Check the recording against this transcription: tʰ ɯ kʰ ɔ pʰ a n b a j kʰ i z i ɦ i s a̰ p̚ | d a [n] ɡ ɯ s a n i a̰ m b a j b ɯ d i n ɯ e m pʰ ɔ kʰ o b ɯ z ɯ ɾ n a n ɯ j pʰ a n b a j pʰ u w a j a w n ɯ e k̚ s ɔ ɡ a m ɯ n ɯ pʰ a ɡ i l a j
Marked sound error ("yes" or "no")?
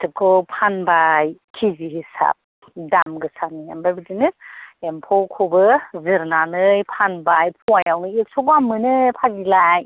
yes